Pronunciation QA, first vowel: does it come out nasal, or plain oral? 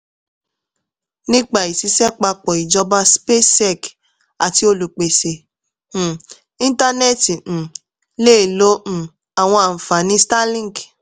nasal